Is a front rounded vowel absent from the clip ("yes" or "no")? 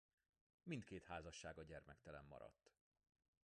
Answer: yes